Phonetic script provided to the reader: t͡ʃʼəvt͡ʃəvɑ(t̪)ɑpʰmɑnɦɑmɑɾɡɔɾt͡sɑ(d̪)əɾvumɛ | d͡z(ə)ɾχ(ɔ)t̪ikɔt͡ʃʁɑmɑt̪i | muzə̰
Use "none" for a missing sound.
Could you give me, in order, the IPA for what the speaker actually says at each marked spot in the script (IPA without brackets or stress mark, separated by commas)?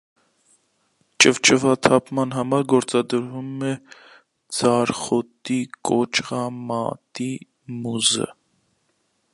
t̪ʰ, d̪, ɑ, ɔ